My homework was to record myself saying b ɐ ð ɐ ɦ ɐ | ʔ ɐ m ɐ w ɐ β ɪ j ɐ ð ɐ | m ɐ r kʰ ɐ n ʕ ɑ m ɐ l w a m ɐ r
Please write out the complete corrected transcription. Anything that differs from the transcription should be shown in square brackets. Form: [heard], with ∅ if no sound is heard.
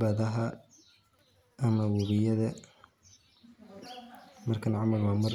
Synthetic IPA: b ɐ ð ɐ ɦ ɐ | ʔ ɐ m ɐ w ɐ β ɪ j ɐ ð ɐ | m ɐ r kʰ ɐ n ʕ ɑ m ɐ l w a m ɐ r